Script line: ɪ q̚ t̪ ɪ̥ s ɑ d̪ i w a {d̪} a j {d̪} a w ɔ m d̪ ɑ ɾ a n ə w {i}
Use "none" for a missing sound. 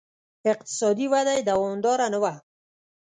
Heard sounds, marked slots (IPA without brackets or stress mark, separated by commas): d̪, d̪, a